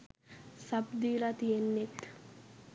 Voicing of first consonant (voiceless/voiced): voiceless